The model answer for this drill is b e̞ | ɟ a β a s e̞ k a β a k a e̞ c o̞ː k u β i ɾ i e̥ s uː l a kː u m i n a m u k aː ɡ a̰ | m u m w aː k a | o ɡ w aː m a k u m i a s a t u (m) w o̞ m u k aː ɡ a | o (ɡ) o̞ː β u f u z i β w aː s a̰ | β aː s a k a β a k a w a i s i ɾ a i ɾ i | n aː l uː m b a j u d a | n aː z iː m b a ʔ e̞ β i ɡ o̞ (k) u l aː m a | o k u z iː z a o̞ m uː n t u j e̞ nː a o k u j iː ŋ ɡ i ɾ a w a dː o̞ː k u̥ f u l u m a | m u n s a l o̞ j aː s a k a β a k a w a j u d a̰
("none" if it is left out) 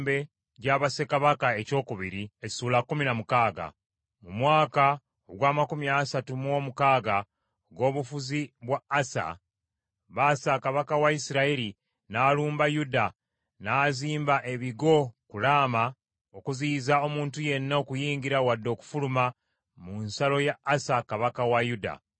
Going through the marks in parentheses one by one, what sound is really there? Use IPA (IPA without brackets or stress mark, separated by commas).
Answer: m, ɡ, k